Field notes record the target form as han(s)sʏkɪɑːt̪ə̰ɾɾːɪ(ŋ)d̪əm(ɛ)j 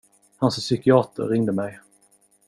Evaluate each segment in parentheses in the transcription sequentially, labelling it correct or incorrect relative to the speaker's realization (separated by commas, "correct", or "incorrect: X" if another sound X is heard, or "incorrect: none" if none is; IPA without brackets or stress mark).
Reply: correct, correct, correct